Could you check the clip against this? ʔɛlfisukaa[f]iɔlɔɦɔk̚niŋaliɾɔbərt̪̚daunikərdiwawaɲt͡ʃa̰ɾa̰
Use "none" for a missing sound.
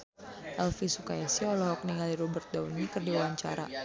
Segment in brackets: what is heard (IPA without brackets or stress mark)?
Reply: s